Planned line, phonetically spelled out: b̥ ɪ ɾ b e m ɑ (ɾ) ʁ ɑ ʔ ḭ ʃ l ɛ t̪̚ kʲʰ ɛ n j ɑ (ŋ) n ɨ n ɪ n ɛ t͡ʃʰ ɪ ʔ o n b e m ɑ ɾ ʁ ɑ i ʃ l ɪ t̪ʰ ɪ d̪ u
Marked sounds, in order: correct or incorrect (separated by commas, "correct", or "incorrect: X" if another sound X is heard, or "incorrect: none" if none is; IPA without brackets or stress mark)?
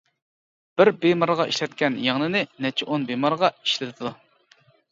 correct, correct